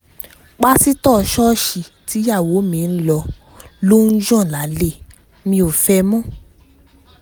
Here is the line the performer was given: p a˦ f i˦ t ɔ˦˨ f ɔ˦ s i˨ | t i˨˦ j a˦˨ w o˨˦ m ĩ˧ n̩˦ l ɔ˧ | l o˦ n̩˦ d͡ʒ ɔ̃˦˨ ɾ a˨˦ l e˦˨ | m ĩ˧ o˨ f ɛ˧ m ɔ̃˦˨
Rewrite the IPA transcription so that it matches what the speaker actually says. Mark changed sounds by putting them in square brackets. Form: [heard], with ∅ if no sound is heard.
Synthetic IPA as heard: [k͡p] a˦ [s] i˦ t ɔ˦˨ [ʃ] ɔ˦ [ʃ] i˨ | t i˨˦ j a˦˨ w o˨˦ m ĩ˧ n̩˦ l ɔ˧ | l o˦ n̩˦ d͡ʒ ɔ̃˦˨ [l] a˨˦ l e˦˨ | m ĩ˧ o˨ f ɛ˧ m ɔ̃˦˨